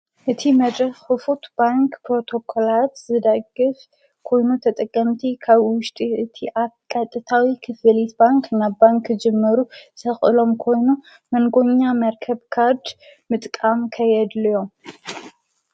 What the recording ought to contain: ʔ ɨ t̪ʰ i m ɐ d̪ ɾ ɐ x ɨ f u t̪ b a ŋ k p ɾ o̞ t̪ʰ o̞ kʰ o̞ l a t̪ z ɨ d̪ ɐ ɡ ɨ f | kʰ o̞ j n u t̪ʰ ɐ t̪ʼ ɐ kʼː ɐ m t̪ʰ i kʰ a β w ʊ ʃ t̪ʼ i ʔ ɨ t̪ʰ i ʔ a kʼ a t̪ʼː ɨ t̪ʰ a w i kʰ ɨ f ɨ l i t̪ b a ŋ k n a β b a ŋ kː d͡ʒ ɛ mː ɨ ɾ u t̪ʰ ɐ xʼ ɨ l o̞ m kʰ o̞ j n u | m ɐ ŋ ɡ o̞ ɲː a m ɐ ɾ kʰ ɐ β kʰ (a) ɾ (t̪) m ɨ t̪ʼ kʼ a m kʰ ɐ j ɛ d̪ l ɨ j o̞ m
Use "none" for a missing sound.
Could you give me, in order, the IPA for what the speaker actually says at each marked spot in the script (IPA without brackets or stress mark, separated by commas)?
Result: a, d̪